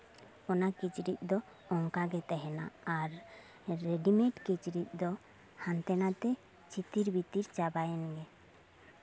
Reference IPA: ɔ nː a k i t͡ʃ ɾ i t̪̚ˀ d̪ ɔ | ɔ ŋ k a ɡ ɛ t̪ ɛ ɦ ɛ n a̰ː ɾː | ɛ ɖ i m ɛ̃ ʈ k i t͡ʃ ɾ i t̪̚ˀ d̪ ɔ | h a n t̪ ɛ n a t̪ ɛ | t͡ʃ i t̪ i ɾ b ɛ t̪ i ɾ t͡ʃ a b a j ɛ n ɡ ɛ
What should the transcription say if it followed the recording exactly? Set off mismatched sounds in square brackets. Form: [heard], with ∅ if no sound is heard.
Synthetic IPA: ɔ [n] a k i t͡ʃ ɾ i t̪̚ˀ d̪ ɔ | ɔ ŋ k a ɡ ɛ t̪ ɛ ɦ ɛ n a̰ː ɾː | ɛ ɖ i m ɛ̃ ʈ k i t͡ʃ ɾ i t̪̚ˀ d̪ ɔ | h a n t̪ ɛ n a t̪ ɛ | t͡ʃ i t̪ i ɾ b [i] t̪ i ɾ t͡ʃ a b a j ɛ n ɡ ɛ